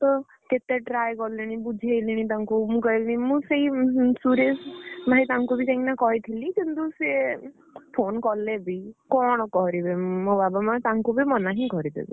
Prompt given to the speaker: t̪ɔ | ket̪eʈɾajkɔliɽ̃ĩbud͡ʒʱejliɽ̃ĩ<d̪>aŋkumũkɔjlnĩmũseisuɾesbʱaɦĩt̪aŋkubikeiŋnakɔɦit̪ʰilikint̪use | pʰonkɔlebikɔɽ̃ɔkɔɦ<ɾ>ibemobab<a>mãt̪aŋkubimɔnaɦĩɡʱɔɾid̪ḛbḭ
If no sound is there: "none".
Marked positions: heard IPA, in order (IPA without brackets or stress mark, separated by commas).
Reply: t̪, ɾ, a